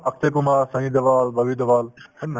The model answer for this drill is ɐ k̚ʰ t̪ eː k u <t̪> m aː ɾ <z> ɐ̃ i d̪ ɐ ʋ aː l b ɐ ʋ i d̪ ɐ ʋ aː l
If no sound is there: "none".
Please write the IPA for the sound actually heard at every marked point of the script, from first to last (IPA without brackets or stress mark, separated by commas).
none, s